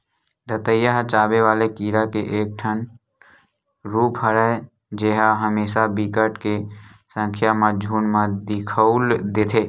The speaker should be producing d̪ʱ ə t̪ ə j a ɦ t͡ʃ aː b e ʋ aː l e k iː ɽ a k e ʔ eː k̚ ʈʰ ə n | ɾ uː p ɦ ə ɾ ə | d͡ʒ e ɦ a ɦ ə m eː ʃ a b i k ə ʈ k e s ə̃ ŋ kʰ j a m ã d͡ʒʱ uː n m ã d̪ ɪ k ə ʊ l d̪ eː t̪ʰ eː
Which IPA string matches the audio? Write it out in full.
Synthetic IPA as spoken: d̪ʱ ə t̪ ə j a ɦ t͡ʃ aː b e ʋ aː l e k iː ɾ a k e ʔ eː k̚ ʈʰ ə n | ɾ uː p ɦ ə ɾ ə | d͡ʒ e ɦ a ɦ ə m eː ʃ a b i k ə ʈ k e s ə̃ ŋ kʰ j a m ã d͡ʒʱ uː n m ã d̪ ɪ kʰ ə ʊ l d̪ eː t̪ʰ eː